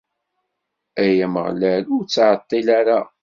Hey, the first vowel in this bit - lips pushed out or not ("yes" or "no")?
no